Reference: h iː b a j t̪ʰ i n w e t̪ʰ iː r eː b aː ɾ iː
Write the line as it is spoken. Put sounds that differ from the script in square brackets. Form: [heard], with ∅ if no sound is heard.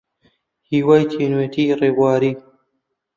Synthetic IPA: h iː [w] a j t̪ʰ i n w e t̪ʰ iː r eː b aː ɾ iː